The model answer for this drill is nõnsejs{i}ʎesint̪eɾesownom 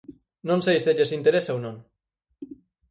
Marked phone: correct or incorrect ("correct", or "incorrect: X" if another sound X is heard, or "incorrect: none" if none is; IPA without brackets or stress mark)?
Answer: incorrect: e